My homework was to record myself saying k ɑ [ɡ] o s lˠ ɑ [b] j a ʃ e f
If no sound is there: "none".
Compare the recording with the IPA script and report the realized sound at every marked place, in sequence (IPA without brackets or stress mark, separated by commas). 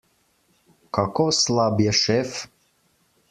k, b